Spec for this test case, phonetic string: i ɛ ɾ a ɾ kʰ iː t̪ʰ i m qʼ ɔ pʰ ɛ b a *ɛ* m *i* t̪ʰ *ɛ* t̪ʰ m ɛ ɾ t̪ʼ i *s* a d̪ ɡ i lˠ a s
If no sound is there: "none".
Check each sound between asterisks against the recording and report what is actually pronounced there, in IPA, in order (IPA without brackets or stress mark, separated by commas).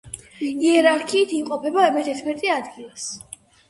ɛ, ɛ, ɛ, none